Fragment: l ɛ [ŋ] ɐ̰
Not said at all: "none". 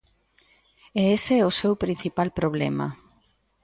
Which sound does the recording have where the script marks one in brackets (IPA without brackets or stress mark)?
m